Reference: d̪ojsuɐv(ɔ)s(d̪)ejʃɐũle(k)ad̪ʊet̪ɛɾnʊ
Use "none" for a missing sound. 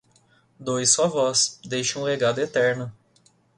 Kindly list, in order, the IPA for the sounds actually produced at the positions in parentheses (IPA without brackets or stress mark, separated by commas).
ɔ, d̪, ɡ